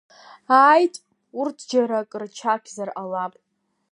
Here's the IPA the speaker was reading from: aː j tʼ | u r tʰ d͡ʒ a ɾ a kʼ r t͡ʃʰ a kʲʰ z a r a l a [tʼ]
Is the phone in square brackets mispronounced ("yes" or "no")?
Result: yes